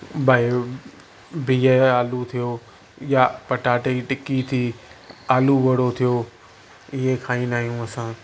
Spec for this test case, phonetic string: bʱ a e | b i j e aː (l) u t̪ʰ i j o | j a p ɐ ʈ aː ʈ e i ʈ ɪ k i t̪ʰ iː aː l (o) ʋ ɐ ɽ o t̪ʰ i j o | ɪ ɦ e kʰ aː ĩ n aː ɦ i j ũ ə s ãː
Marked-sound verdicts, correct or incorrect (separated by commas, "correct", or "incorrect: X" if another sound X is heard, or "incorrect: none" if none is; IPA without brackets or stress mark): correct, incorrect: u